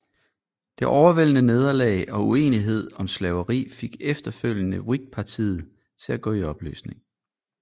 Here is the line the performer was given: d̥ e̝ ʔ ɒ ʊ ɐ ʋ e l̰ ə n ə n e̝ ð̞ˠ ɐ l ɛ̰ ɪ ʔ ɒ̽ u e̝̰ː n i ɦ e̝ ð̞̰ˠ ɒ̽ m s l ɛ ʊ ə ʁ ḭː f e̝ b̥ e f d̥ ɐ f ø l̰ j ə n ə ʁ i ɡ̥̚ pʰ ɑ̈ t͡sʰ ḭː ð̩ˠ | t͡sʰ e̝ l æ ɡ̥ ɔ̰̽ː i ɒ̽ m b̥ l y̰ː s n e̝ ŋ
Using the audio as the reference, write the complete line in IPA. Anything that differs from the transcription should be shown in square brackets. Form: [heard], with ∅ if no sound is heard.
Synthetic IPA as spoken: d̥ e̝ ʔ ɒ ʊ ɐ ʋ e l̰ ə n ə n e̝ ð̞ˠ ɐ l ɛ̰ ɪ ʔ ɒ̽ u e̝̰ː n i ɦ e̝ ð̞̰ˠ ɒ̽ m s l ɛ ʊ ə ʁ ḭː f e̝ [ɡ̥] e f d̥ ɐ f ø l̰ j ə n ə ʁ i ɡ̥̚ pʰ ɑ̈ t͡sʰ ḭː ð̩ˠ | t͡sʰ e̝ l æ ɡ̥ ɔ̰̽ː i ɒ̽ [∅] b̥ l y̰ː s n e̝ ŋ